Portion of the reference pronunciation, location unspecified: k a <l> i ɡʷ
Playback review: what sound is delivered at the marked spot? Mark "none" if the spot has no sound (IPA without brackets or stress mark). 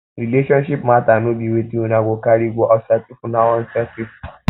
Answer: ɾ